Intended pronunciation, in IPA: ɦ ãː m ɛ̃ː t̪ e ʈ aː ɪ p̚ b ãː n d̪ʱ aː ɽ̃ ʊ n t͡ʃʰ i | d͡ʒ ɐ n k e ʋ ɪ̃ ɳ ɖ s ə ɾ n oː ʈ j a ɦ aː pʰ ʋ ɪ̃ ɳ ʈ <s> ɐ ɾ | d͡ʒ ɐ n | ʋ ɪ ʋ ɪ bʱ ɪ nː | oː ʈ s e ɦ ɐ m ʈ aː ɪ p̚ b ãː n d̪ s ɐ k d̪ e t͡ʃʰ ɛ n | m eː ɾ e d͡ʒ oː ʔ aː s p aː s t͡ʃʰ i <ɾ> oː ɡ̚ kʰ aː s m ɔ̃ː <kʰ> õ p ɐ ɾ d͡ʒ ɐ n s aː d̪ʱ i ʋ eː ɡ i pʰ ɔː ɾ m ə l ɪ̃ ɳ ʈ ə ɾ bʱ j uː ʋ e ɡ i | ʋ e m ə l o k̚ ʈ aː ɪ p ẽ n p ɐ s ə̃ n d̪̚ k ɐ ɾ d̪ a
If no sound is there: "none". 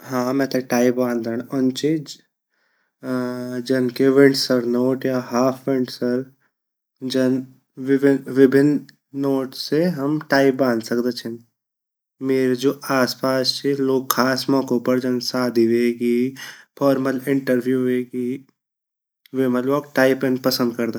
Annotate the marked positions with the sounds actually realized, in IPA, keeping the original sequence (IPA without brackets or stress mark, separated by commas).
s, l, k